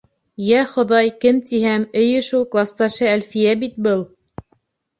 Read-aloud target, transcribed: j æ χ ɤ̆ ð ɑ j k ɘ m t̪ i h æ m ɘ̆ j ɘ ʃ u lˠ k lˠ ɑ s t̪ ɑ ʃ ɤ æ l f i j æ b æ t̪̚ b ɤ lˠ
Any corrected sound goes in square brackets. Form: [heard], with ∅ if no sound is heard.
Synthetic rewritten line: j æ χ [ŏ] ð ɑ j k ɘ m t̪ i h æ m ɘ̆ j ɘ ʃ u lˠ k lˠ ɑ s t̪ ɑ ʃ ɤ æ l f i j æ b [i] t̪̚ b ɤ lˠ